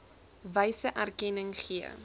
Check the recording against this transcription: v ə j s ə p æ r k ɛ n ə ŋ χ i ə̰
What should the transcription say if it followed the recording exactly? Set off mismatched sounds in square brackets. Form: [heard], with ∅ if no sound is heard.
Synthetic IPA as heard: v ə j s ə [ʔ] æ r k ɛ n ə ŋ χ i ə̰